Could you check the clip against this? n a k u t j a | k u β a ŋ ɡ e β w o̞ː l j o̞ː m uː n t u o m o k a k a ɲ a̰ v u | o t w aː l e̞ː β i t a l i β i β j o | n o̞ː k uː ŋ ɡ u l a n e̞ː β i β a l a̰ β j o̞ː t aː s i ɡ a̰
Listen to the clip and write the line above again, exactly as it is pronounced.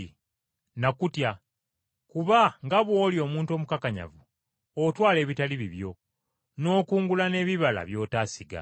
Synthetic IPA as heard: n a k u t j a | k u β a ŋ ɡ a β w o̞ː l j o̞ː m uː n t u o m u k a k a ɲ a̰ v u | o t w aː l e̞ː β i t a l i β i β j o | n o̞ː k uː ŋ ɡ u l a n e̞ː β i β a l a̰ β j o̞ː t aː s i ɡ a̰